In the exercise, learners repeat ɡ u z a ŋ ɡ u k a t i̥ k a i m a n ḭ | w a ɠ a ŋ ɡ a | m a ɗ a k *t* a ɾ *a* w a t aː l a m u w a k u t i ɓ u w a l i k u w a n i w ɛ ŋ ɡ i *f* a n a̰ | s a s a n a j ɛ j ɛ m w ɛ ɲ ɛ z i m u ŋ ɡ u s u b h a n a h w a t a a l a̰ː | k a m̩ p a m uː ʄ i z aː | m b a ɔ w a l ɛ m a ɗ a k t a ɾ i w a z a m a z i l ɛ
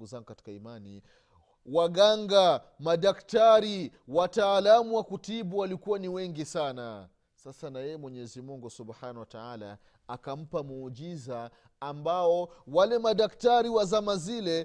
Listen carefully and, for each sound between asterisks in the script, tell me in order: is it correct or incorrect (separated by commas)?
correct, incorrect, incorrect